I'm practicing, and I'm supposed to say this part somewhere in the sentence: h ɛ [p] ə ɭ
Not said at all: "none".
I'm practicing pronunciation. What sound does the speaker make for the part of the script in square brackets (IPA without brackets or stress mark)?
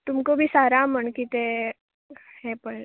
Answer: p